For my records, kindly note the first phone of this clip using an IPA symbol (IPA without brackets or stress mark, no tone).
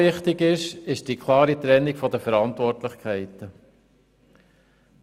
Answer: ɪ